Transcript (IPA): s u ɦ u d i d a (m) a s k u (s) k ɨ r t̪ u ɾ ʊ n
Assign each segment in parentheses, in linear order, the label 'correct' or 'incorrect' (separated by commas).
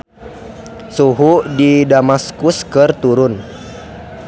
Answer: correct, correct